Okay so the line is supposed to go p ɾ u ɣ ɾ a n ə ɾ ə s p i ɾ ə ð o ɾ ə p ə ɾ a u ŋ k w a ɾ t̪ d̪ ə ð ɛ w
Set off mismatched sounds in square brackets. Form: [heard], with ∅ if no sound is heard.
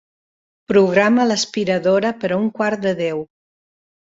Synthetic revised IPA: p ɾ u ɣ ɾ a [m] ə [l] ə s p i ɾ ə ð o ɾ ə p ə ɾ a u ŋ k w a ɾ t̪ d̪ ə ð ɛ w